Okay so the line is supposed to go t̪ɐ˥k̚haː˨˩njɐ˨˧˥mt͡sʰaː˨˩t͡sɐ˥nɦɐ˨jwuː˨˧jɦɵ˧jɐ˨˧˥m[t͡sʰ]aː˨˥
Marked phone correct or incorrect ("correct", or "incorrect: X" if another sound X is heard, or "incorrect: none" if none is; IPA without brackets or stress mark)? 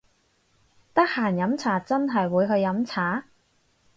correct